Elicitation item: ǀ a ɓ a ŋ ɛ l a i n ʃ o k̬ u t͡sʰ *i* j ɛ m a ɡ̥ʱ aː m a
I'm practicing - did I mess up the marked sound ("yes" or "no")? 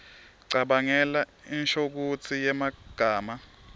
no